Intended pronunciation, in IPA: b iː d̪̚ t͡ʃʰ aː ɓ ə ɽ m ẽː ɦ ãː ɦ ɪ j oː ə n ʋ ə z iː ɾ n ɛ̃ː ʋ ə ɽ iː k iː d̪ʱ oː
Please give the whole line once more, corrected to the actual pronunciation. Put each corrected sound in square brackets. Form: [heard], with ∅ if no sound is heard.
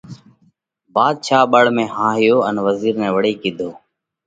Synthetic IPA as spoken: b [aː] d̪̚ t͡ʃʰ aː ɓ ə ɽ m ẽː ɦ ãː ɦ ɪ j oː ə n ʋ ə z iː ɾ n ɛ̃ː ʋ ə ɽ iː k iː d̪ʱ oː